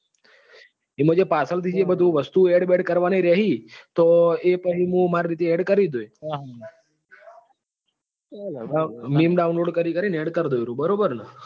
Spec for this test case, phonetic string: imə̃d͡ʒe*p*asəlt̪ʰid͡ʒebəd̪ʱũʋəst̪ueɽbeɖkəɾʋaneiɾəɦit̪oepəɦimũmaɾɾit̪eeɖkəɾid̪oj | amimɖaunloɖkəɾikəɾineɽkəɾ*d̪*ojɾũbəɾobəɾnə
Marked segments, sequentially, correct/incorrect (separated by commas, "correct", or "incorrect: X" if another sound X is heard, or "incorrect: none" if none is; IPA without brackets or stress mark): correct, correct